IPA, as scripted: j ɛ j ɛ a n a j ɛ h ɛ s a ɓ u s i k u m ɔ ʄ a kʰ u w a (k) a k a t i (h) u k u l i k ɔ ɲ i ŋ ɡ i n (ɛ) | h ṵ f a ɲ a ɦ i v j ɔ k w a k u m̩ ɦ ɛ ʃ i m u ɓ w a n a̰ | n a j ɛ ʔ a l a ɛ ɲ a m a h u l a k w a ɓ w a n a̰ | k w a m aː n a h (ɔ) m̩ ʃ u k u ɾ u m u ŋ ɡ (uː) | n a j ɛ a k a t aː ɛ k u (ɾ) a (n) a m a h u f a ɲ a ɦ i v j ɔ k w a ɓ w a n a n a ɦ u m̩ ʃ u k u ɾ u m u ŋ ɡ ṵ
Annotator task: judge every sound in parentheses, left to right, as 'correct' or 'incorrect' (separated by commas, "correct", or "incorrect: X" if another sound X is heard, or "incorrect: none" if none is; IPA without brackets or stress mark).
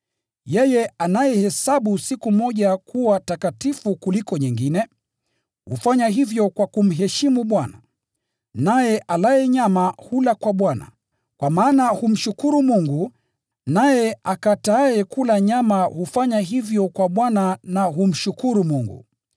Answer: incorrect: t, incorrect: f, correct, incorrect: u, incorrect: u, incorrect: l, incorrect: ɲ